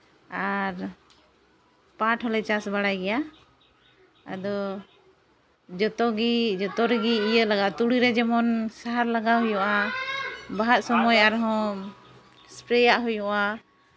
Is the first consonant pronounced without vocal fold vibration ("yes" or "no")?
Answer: no